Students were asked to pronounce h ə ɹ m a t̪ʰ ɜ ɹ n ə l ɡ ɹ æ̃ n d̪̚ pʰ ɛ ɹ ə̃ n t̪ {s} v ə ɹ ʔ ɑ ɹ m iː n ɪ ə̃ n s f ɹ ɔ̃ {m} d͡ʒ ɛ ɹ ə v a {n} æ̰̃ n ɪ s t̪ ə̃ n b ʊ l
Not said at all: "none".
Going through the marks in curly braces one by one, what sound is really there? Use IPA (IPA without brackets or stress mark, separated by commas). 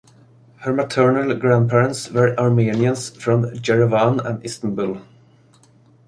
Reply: s, m, n